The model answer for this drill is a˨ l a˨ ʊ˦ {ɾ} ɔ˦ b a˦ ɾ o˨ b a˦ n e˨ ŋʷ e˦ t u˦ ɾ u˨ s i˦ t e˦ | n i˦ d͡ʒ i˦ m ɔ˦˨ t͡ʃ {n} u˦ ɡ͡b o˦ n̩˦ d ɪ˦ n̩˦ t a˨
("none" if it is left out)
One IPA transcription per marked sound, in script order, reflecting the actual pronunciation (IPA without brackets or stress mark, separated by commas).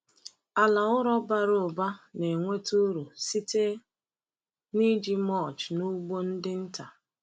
ɾ, n